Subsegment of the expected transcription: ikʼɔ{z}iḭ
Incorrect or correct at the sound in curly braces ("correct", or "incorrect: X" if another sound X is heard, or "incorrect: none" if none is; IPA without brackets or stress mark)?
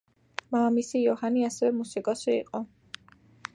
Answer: incorrect: s